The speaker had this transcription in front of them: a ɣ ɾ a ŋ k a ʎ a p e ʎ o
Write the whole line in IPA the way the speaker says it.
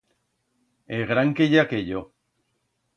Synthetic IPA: e ɣ ɾ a ŋ k e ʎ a k e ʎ o